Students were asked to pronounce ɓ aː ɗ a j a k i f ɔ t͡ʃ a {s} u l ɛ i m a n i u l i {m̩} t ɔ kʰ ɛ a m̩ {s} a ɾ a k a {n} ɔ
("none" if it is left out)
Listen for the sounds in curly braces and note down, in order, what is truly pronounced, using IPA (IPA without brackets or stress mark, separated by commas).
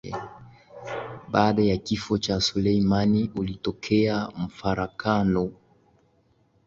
s, none, f, n